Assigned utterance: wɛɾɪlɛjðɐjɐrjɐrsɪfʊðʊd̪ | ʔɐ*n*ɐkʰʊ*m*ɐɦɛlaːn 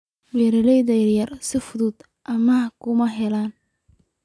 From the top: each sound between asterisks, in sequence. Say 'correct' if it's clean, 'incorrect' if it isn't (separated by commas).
incorrect, correct